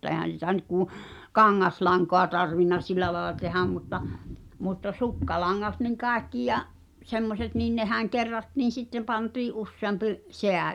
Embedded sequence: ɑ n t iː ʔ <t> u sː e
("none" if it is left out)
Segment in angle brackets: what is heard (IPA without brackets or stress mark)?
ʔ